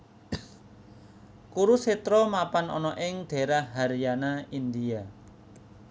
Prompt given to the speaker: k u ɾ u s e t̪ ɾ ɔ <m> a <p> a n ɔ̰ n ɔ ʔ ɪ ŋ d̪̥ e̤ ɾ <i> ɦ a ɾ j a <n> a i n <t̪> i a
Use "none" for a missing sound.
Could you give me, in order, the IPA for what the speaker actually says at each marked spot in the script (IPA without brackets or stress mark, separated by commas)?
m, p, a, n, d̪